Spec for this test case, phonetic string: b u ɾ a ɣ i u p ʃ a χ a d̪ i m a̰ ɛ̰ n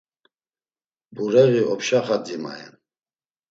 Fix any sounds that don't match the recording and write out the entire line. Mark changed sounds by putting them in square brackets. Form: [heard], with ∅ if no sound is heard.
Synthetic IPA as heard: b u ɾ [ɛ] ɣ i [ɔ] p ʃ a χ a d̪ i m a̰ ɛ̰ n